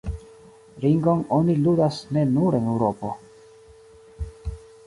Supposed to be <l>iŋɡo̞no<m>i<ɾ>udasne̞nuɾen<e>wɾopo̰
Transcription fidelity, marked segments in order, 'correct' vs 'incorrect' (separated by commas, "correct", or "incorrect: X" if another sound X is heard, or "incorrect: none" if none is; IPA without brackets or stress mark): incorrect: ɾ, incorrect: n, incorrect: l, correct